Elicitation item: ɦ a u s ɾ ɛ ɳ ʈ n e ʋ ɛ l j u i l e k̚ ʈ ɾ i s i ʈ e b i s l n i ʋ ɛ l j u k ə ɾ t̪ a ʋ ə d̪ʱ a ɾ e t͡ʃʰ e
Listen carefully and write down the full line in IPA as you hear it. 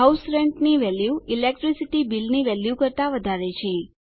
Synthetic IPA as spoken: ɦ a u s ɾ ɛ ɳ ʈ n i ʋ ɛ l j u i l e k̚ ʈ ɾ i s i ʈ i b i l n i ʋ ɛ l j u k ə ɾ t̪ a ʋ ə d̪ʱ a ɾ e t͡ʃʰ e